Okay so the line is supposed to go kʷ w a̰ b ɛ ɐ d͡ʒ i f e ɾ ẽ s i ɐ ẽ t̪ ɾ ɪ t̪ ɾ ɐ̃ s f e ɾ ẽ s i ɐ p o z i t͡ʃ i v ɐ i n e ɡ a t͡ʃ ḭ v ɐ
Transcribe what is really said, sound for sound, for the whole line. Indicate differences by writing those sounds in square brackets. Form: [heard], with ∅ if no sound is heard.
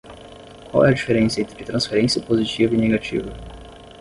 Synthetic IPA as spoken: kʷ w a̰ [w] ɛ ɐ d͡ʒ i f e ɾ ẽ s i ɐ ẽ t̪ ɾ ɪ t̪ ɾ ɐ̃ s f e ɾ ẽ s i ɐ p o z i t͡ʃ i v ɐ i n e ɡ a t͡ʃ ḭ v ɐ

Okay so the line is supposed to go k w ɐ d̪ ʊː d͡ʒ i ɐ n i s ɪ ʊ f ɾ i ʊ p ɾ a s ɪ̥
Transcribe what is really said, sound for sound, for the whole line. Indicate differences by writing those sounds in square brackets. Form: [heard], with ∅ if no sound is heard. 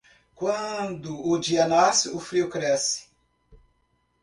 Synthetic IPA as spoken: k w [ɐ̃] d̪ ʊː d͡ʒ i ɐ n [a] s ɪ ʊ f ɾ i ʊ [k] ɾ [ɛ] s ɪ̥

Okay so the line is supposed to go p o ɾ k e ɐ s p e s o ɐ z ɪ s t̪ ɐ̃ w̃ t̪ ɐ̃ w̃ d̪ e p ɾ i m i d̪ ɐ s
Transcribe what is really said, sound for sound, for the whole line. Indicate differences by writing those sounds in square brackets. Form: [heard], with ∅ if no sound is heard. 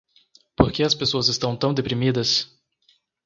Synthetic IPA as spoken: p o ɾ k e ɐ s p e s o ɐ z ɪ s t̪ ɐ̃ w̃ t̪ ɐ̃ w̃ d̪ e p ɾ i m i d̪ ɐ s

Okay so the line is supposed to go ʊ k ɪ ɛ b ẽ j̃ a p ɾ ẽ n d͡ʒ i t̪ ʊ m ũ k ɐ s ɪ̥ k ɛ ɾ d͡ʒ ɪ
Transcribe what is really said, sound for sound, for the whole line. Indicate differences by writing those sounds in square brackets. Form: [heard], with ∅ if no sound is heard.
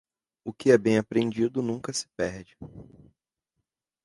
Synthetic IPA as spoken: ʊ k ɪ ɛ b ẽ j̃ a p ɾ ẽ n d͡ʒ i [d̪] ʊ [n] ũ k ɐ s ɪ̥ [p] ɛ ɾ d͡ʒ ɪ

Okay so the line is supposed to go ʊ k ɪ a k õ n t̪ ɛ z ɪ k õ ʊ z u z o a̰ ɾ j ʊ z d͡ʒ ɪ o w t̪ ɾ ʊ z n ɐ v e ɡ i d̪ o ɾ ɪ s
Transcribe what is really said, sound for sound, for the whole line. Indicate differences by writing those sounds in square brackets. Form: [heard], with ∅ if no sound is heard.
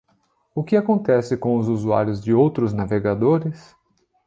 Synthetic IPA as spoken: ʊ k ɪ a k õ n t̪ ɛ [s] ɪ k õ ʊ z u z [u] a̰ ɾ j ʊ z d͡ʒ ɪ o w t̪ ɾ ʊ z n [a] v e ɡ [a] d̪ o ɾ ɪ s

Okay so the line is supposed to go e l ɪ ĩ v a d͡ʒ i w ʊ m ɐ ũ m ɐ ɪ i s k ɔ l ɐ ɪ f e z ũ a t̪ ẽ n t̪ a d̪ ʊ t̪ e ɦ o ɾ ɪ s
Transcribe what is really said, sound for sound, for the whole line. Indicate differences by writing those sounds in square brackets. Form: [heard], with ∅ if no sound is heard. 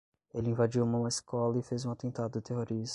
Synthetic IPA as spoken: e l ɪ ĩ v a d͡ʒ i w [u] m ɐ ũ m ɐ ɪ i s k ɔ l ɐ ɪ f e z ũ a t̪ ẽ n t̪ a d̪ ʊ t̪ e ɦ o ɾ [i] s

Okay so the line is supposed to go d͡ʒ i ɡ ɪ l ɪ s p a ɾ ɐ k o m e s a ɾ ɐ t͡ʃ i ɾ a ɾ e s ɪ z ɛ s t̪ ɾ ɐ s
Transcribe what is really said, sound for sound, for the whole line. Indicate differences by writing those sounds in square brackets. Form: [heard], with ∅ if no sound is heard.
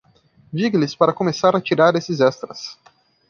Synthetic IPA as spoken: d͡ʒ i ɡ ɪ l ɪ s p a ɾ ɐ k o m e s a ɾ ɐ t͡ʃ i ɾ a ɾ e s ɪ z ɛ s t̪ ɾ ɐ s

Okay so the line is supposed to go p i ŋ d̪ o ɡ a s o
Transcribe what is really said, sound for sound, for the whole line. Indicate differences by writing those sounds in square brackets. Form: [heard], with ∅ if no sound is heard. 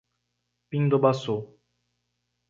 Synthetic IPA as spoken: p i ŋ d̪ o [b] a s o

